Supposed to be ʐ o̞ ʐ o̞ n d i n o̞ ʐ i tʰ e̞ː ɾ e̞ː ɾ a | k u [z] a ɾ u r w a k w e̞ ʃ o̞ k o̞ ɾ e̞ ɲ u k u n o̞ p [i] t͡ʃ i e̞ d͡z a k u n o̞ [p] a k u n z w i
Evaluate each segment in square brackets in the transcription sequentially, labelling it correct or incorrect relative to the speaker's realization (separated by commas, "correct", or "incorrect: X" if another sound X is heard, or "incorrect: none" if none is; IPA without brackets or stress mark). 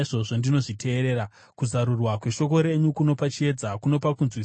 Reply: correct, incorrect: a, correct